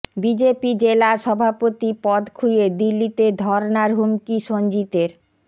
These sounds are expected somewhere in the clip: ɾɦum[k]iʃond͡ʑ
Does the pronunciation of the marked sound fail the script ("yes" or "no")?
no